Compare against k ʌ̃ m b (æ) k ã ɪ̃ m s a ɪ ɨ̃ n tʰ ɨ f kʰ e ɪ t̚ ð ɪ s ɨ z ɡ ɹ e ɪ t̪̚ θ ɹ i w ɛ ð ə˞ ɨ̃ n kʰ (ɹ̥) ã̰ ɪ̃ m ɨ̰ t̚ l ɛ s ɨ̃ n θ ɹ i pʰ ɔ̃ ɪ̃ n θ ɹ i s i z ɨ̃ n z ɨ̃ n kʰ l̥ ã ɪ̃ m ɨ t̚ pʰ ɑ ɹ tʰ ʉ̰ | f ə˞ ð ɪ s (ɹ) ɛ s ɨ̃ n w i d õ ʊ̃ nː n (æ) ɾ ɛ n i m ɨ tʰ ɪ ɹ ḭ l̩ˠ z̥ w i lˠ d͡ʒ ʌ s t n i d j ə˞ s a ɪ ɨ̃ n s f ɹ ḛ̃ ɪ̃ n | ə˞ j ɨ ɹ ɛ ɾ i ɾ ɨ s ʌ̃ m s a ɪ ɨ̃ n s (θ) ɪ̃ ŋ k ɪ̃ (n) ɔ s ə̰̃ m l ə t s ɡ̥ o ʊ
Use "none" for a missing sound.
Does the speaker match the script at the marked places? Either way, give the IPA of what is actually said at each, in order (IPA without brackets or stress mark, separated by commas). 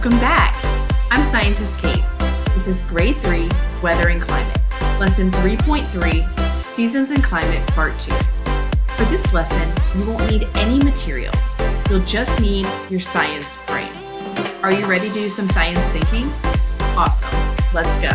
æ, l̥, l, i, θ, ŋ